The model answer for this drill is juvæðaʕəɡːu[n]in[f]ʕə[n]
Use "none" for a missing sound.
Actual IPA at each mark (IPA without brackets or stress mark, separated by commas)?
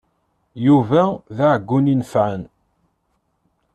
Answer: n, f, n